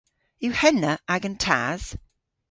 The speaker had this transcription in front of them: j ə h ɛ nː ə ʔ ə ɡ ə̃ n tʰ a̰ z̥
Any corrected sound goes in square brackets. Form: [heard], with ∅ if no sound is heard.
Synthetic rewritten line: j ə h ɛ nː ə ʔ [a] ɡ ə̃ n tʰ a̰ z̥